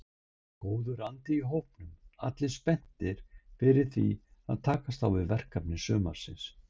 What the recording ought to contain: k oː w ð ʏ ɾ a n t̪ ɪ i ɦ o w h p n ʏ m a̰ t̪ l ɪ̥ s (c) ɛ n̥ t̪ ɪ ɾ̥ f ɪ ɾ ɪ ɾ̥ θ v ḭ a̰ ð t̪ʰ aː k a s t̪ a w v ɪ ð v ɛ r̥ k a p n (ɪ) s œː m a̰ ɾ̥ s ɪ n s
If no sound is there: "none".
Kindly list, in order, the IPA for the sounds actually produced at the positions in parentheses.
p, ɪ

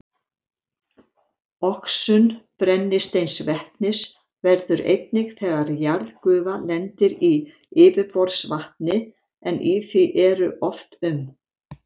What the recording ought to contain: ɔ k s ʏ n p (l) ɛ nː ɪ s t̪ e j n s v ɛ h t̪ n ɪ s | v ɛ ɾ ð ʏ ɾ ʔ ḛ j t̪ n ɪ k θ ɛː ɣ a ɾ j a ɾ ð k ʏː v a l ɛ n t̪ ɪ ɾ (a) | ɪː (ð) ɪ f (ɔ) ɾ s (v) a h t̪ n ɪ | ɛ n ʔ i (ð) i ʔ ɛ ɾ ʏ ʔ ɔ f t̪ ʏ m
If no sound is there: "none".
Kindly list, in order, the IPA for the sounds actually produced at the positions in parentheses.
ɾ, i, v, ɔ, v, θ

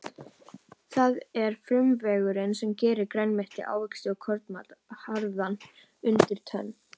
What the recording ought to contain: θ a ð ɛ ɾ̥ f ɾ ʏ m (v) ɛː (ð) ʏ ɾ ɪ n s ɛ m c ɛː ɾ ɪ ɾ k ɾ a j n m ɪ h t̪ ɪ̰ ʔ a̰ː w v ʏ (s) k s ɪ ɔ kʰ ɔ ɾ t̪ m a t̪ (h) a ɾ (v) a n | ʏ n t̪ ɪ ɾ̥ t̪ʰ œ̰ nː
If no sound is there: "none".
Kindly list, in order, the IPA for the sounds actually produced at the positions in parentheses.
v, ɣ, none, h, ð

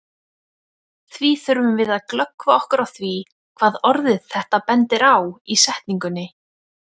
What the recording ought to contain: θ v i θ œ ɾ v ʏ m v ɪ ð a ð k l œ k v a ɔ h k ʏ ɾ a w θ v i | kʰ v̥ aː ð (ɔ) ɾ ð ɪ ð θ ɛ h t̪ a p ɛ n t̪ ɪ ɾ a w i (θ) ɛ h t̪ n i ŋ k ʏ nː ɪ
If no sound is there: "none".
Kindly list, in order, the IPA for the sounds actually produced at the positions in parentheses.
ɔ, s

